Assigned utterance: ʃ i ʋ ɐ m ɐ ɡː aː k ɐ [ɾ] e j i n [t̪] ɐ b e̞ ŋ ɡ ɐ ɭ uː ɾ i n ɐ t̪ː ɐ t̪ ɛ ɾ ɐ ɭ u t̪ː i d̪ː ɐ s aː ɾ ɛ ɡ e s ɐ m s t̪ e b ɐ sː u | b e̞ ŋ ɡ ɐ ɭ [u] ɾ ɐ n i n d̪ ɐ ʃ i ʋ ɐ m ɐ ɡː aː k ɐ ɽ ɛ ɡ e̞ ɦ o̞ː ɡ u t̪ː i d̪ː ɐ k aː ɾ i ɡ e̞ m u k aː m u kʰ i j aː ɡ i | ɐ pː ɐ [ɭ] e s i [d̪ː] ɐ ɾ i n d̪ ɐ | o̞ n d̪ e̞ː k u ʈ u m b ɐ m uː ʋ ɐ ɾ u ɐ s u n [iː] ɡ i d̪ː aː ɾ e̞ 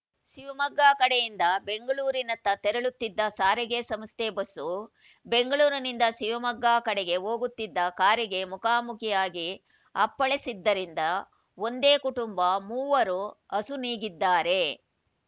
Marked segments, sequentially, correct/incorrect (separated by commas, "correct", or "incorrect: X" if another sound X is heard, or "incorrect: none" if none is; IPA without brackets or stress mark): incorrect: ɽ, incorrect: d̪, incorrect: uː, correct, correct, correct